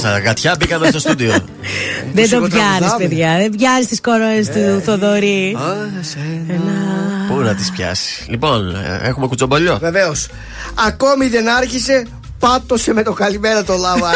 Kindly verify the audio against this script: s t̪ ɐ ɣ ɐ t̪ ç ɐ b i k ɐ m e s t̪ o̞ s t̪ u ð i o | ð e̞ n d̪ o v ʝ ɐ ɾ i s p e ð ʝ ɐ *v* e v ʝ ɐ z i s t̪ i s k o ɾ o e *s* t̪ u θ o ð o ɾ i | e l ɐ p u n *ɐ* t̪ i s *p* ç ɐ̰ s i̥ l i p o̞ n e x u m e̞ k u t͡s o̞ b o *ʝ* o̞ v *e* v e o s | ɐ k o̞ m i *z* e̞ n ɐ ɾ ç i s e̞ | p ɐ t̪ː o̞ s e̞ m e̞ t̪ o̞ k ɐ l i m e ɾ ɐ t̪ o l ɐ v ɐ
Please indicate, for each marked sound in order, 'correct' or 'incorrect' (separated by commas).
incorrect, correct, correct, correct, incorrect, correct, incorrect